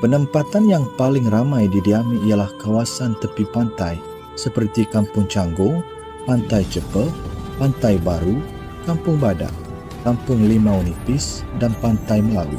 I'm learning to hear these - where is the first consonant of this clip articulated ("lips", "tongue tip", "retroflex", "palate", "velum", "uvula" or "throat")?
lips